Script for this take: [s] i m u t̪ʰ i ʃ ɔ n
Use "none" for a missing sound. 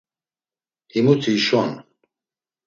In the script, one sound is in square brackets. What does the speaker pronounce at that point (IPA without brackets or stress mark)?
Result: h